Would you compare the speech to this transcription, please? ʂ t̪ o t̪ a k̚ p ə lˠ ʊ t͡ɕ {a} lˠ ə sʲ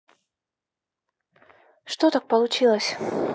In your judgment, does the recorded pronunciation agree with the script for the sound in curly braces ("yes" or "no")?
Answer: no